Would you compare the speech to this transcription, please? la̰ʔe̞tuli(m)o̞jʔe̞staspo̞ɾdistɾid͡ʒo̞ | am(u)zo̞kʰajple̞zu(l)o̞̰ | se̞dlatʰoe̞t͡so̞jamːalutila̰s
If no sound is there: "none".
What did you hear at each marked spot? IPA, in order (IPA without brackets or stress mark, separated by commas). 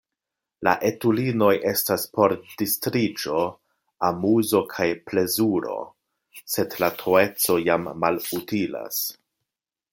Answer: n, u, ɾ